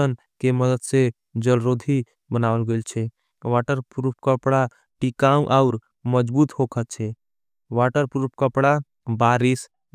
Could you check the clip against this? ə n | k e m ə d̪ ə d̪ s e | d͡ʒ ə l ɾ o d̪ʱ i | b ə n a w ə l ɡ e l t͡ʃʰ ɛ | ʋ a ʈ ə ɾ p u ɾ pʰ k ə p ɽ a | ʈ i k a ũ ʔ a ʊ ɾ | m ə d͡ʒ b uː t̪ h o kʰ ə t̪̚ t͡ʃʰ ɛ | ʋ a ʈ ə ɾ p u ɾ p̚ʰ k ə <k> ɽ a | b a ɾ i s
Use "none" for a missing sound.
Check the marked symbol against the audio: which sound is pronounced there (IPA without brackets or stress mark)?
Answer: p